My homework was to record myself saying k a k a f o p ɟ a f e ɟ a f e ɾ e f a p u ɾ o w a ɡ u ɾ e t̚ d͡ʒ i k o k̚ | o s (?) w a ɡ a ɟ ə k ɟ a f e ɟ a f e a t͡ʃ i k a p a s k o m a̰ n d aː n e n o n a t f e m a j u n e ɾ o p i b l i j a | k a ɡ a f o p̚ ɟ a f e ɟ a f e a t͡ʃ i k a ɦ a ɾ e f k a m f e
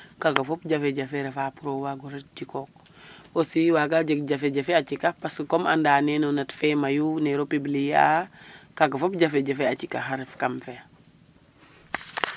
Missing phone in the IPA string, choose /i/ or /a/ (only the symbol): i